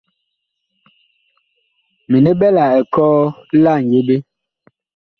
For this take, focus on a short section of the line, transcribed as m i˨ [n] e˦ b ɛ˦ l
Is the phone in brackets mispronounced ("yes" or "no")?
no